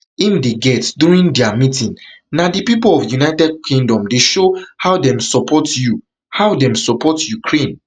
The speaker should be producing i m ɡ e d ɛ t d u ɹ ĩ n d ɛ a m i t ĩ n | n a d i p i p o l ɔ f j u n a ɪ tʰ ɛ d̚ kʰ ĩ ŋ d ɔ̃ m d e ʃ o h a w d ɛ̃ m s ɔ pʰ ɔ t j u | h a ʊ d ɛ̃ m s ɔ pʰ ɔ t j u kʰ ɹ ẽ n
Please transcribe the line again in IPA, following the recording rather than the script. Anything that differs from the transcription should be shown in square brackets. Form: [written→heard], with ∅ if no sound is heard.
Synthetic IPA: i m [ɡ→d] e [d→ɡ] ɛ t d u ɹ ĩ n d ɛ a m i t ĩ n | n a d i p i p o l ɔ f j u n a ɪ [tʰ→t] ɛ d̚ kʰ ĩ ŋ d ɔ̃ m d e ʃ o h a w d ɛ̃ m s ɔ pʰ ɔ t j u | h a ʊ d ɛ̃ m s ɔ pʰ ɔ t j u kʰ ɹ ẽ n